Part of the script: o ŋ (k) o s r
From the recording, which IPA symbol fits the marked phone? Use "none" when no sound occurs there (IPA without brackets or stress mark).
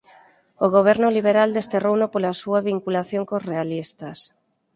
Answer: k